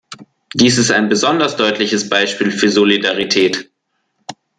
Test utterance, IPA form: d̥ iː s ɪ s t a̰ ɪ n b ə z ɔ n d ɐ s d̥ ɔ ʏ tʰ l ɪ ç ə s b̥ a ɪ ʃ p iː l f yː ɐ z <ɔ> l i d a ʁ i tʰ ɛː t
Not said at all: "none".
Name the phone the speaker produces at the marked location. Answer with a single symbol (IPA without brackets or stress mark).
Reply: o